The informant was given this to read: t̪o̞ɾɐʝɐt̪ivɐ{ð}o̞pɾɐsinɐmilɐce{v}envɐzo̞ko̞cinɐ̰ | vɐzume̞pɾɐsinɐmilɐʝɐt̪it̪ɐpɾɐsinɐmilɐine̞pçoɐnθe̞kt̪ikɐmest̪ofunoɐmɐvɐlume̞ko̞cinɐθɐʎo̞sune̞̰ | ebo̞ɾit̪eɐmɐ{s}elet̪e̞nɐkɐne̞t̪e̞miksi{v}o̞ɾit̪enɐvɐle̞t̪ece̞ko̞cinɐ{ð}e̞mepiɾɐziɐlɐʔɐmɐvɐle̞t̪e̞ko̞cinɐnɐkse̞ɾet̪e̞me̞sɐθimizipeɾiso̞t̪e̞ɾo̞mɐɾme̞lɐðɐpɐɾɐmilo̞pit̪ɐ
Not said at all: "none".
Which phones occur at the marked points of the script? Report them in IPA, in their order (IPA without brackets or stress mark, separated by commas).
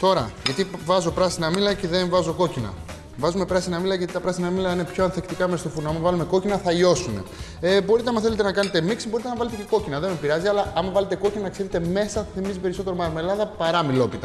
z, ð, θ, b, ð